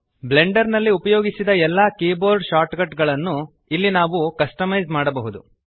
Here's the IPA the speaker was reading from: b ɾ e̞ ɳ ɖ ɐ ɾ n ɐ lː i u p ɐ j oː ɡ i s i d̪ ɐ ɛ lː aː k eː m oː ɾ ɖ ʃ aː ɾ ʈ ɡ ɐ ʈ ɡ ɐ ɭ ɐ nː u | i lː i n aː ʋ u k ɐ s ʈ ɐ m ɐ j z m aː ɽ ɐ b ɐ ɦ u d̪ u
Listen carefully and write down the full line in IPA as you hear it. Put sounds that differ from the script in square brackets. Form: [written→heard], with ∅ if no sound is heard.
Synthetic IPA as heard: b [ɾ→l] e̞ ɳ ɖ ɐ ɾ n ɐ lː i u p ɐ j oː ɡ i s i d̪ ɐ ɛ lː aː k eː [m→b] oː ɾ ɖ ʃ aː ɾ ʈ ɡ ɐ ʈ ɡ ɐ ɭ ɐ nː u | i lː i n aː ʋ u k ɐ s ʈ ɐ m ɐ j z m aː ɽ ɐ b ɐ ɦ u d̪ u